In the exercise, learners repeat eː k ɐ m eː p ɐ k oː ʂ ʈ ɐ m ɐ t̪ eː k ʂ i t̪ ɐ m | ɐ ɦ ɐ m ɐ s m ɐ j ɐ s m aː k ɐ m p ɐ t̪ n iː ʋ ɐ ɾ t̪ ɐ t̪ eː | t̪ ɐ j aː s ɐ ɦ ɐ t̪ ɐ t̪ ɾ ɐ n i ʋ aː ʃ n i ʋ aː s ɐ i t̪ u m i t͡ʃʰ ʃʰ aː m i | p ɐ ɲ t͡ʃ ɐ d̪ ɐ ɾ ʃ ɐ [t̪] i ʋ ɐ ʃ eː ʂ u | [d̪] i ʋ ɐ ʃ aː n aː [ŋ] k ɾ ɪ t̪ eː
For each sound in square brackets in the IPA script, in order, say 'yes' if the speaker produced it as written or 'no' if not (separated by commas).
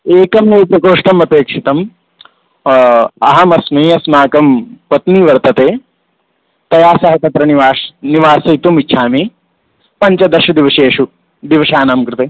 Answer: no, yes, no